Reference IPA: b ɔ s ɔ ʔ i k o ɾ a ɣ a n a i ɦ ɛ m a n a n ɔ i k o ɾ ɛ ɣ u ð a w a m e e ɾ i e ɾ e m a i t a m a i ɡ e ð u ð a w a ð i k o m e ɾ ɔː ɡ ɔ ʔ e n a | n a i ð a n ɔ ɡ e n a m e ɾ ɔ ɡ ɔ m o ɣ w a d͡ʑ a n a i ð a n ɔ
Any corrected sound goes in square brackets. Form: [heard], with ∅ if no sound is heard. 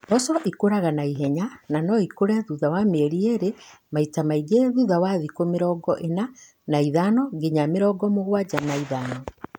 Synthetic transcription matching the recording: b ɔ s ɔ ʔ i k o ɾ a ɣ a n a i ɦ ɛ [ɲ] a n a n ɔ i k o ɾ ɛ [ð] u ð a w a m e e ɾ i e ɾ e m a i t a m a i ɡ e ð u ð a w a ð i k o m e ɾ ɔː ɡ ɔ ʔ e n a | n a i ð a n ɔ ɡ e [ɲ] a m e ɾ ɔ ɡ ɔ m o ɣ w a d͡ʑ a n a i ð a n ɔ